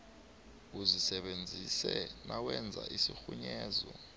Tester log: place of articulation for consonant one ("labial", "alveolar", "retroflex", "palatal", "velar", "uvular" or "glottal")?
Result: alveolar